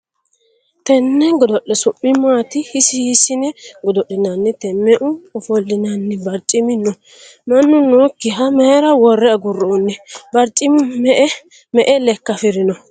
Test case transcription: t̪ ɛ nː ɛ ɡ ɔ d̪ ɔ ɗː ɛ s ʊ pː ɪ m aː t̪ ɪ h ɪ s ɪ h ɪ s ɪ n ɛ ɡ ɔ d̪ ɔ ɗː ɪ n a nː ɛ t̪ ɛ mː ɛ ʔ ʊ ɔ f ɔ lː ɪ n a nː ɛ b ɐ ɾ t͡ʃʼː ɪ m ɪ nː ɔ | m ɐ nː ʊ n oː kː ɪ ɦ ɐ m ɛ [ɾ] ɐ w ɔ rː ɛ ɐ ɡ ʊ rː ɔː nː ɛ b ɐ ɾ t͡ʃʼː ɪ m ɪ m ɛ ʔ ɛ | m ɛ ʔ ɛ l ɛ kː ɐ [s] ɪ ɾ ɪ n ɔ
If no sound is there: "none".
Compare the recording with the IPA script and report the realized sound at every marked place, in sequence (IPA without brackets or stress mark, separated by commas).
ɾ, f